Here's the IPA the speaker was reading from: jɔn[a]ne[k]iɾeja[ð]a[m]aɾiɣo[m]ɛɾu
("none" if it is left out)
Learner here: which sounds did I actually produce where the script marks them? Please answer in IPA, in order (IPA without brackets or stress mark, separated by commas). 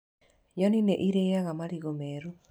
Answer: i, ʔ, ɣ, m, m